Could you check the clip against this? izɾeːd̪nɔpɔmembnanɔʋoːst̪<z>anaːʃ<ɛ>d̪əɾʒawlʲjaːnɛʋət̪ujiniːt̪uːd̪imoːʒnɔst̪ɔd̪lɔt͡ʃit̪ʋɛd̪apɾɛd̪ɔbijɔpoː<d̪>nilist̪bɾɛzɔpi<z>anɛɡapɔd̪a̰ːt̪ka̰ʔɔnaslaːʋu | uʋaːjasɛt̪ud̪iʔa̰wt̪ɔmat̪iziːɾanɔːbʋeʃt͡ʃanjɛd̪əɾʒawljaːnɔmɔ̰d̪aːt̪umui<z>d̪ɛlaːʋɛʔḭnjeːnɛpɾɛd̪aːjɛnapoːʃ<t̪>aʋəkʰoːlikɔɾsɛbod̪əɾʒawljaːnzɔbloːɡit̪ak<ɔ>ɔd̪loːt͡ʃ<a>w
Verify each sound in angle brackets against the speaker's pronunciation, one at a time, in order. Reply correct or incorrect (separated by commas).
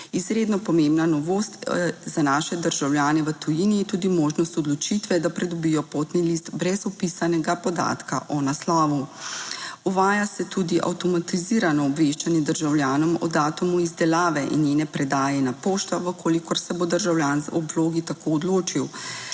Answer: correct, correct, incorrect, incorrect, correct, correct, incorrect, incorrect